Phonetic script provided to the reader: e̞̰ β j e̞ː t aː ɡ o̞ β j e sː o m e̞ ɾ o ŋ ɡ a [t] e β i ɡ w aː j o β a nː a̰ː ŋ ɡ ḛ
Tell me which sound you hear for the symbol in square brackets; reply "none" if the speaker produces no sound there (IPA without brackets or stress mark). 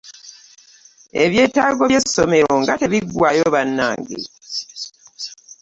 t